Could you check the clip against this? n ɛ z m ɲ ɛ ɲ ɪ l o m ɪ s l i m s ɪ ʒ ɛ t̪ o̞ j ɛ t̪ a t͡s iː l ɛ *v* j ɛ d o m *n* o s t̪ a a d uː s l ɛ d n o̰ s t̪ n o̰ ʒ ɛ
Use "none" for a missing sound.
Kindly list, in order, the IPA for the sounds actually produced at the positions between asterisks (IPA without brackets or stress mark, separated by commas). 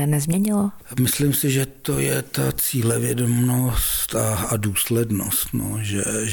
v, n